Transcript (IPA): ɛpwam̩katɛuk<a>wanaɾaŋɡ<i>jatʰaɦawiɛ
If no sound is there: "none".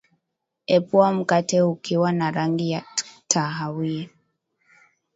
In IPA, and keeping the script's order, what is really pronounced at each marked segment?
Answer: i, i

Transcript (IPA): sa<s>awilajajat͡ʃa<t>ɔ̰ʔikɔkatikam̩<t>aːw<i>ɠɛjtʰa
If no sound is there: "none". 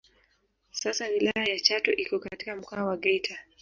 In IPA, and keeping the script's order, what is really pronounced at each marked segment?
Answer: s, t, k, a

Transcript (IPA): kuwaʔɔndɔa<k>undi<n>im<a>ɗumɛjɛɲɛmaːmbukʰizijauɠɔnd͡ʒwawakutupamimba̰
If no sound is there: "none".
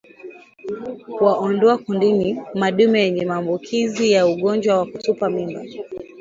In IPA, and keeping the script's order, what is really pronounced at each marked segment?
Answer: k, n, a

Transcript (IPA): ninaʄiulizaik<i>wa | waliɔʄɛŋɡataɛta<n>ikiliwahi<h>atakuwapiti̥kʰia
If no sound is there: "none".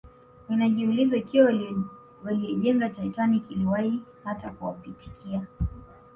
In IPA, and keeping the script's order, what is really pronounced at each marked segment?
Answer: i, n, h

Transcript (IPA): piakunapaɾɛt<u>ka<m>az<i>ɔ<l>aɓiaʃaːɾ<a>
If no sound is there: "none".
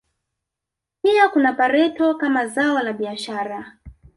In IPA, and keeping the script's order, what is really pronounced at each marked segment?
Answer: ɔ, m, a, l, a

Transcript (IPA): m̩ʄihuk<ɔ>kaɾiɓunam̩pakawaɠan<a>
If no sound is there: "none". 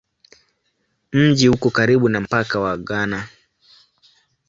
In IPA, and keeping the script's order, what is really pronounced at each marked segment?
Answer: ɔ, a

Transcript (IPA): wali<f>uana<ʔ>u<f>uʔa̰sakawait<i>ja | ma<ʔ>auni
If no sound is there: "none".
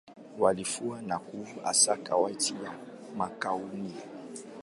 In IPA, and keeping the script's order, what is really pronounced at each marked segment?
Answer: f, k, v, i, k

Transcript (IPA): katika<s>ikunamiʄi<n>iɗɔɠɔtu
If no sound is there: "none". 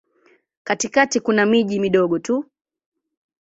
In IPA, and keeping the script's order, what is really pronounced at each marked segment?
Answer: t, m

